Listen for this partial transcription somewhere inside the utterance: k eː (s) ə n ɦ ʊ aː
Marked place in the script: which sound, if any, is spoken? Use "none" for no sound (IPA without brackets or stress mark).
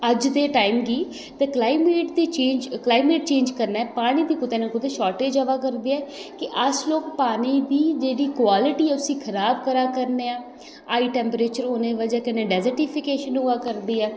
ʃ